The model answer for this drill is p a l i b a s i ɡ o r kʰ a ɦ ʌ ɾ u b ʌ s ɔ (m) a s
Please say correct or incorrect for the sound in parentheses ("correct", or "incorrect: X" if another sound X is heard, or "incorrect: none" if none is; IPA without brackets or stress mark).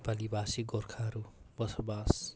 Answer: incorrect: b